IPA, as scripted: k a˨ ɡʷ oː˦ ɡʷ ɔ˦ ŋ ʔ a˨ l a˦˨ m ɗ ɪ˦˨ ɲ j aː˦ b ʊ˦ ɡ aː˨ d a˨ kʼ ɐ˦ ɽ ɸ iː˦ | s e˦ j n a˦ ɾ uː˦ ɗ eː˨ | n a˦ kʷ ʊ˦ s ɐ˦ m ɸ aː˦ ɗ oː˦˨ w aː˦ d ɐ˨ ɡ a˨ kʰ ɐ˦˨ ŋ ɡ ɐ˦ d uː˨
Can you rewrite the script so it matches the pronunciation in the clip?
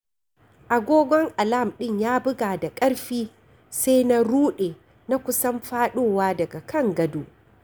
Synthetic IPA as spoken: ʔ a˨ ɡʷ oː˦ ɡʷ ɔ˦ ŋ ʔ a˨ l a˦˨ m ɗ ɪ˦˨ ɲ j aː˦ b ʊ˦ ɡ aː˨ d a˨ kʼ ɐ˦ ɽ ɸ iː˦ | s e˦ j n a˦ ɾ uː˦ ɗ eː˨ | n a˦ kʷ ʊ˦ s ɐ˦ m ɸ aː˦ ɗ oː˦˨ w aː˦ d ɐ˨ ɡ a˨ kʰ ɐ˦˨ ŋ ɡ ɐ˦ d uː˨